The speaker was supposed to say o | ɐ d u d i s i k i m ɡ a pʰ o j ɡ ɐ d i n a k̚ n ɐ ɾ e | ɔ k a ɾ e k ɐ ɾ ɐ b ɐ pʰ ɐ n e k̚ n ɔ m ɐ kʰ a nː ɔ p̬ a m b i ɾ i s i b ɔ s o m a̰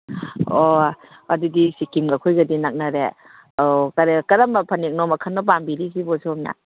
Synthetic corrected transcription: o | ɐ d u d i s i k i m ɡ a kʰ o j ɡ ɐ d i n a k̚ n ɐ ɾ e | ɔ k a ɾ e k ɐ ɾ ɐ m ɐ pʰ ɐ n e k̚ n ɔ m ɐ kʰ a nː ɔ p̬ a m b i ɾ i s i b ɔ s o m a̰